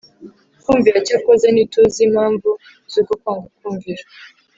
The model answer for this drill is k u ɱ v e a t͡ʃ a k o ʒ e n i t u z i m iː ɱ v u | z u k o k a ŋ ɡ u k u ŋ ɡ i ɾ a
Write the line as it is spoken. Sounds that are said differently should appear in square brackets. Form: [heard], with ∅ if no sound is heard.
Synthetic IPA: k u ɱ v [i] a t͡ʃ a k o [z] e n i t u z i m [aː] ɱ v u | z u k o k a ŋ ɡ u k u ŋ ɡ i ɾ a